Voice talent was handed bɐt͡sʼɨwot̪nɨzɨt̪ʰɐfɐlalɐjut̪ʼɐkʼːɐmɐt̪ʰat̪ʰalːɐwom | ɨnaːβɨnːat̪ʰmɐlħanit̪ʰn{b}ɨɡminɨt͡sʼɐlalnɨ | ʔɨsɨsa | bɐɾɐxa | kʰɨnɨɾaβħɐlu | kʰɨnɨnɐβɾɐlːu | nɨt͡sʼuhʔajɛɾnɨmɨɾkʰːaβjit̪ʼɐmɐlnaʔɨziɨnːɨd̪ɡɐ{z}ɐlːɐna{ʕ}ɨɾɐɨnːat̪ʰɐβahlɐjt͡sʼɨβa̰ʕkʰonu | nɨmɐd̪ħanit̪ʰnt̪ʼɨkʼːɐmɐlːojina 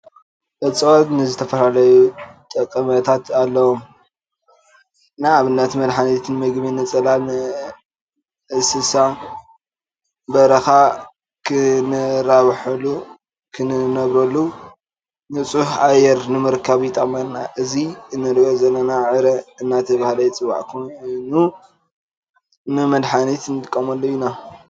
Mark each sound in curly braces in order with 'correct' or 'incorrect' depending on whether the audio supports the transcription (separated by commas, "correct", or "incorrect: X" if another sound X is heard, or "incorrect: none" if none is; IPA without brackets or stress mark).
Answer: incorrect: m, correct, correct